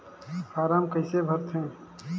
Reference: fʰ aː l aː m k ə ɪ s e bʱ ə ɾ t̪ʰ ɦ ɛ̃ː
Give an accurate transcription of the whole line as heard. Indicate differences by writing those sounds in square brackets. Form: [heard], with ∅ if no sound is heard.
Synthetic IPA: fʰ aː [ɾ] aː m k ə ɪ s e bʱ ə ɾ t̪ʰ ɦ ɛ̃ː